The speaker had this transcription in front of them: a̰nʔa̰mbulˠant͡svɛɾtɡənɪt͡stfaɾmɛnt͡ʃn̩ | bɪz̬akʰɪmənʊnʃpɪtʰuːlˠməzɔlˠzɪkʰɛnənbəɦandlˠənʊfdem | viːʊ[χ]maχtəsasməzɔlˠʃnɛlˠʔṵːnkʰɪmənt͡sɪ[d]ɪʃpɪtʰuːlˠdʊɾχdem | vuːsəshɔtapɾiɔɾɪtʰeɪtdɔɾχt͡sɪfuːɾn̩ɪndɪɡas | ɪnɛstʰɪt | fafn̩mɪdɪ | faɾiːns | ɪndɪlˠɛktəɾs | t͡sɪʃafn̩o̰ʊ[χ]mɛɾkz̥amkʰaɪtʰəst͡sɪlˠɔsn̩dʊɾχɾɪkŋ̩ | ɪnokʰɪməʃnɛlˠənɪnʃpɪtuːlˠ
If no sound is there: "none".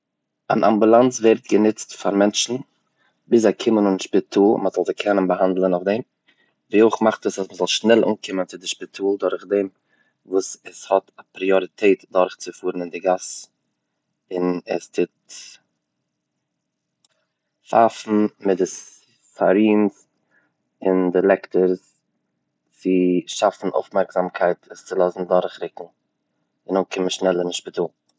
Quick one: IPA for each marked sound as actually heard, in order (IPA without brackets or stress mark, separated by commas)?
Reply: χ, d, f